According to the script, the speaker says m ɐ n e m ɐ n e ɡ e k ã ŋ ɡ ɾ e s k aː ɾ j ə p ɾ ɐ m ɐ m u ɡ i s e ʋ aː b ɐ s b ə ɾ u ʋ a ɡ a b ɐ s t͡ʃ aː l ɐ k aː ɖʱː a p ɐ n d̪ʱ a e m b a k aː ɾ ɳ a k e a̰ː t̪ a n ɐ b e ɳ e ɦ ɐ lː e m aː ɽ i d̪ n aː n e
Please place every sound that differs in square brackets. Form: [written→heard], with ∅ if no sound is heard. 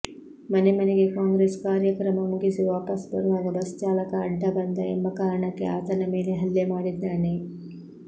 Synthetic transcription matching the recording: m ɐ n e m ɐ n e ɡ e k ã ŋ ɡ ɾ e s k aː ɾ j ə [p→k] ɾ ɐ m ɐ m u ɡ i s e ʋ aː [b→p] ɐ s b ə ɾ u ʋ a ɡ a b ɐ s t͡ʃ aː l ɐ k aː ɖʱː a [p→b] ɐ n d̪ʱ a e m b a k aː ɾ ɳ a k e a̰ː t̪ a n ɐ [b→m] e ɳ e ɦ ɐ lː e m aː ɽ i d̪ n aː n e